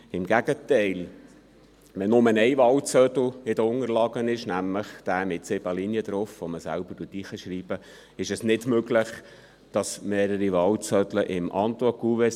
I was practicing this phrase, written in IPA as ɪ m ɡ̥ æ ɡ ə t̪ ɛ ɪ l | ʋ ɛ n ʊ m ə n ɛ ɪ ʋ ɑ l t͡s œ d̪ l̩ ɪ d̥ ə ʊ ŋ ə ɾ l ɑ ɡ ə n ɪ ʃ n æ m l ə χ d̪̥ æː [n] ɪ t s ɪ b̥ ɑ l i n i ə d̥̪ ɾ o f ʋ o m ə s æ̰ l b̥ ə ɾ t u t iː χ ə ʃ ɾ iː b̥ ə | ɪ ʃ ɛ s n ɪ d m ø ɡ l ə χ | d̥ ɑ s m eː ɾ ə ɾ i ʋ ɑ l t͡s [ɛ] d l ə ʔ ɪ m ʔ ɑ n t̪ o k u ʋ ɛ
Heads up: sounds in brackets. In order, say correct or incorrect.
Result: incorrect: m, incorrect: œ

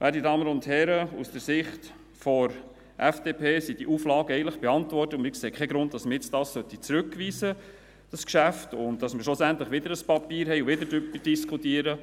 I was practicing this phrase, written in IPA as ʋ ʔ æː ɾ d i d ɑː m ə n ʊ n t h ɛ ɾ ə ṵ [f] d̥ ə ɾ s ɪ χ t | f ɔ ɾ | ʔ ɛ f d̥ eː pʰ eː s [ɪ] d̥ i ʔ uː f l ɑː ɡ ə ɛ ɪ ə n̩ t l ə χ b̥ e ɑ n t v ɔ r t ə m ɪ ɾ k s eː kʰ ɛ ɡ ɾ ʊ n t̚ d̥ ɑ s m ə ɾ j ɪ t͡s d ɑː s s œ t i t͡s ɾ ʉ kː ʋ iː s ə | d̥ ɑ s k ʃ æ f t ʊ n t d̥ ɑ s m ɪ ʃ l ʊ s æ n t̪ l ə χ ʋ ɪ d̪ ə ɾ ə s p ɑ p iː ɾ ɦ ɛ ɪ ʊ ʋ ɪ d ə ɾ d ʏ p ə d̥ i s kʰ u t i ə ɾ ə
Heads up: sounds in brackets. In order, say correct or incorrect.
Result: incorrect: s, incorrect: i

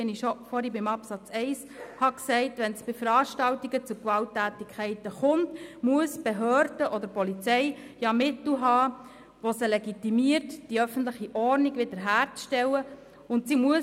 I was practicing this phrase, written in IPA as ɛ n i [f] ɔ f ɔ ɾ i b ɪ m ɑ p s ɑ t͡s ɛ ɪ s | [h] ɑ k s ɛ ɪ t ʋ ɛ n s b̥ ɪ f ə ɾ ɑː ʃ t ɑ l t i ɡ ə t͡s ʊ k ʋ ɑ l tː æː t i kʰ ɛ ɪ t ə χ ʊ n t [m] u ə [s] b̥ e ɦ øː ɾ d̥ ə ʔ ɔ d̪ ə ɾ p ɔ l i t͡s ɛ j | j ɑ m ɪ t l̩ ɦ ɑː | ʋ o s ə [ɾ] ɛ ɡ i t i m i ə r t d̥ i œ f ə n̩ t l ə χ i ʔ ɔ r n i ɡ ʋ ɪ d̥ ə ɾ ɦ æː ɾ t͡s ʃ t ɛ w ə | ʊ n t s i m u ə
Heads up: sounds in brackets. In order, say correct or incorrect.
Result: incorrect: ʃ, correct, correct, correct, incorrect: l

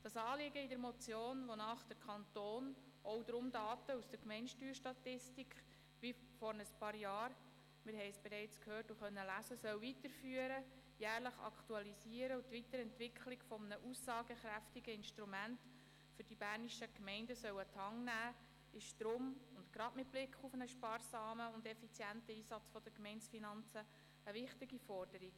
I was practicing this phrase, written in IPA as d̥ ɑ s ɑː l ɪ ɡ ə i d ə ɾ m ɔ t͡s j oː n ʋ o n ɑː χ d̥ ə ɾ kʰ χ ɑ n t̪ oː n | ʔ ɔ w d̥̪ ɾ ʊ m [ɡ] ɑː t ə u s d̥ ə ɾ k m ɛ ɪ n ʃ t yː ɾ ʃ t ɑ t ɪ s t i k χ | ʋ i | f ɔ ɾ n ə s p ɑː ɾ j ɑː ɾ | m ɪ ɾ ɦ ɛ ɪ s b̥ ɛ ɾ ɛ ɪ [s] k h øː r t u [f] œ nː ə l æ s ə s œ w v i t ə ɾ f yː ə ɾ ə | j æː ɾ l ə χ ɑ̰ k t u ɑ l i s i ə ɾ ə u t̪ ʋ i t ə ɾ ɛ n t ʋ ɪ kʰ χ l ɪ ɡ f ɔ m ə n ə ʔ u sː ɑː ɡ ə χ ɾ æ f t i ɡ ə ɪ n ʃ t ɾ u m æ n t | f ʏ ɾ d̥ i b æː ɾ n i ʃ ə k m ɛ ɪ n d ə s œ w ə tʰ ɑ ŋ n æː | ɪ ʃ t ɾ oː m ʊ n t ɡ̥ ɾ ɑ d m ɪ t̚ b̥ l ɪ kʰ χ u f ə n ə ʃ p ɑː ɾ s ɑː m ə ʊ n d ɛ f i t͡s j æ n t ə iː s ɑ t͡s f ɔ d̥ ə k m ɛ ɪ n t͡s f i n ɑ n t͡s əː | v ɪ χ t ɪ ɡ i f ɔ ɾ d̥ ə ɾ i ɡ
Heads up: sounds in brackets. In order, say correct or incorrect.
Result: incorrect: d, incorrect: t͡s, incorrect: χ

